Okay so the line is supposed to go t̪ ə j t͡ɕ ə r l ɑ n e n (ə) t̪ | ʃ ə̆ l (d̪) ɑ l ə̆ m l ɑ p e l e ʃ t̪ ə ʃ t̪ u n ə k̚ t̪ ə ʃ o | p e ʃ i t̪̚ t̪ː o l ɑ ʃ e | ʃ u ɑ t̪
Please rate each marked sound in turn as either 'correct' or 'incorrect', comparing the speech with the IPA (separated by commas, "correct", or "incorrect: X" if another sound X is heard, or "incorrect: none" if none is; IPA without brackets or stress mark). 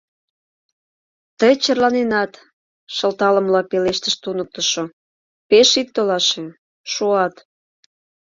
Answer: incorrect: ɑ, incorrect: t̪